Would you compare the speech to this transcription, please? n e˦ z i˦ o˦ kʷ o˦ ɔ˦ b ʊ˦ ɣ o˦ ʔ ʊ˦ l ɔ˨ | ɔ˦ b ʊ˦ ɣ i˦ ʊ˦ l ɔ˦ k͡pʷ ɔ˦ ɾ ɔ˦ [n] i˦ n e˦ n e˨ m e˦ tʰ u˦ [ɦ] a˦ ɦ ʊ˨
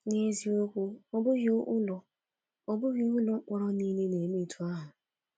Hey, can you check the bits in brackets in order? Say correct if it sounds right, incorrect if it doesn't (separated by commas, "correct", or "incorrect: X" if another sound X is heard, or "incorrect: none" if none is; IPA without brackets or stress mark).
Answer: correct, incorrect: none